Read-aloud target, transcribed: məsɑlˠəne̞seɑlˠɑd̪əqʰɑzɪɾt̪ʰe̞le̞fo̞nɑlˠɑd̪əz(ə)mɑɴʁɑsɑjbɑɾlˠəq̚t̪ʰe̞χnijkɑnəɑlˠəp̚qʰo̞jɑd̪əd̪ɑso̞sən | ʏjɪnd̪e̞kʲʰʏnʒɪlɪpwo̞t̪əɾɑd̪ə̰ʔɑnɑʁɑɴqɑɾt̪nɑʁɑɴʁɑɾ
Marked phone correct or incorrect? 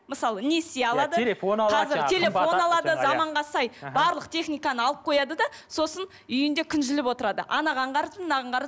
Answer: incorrect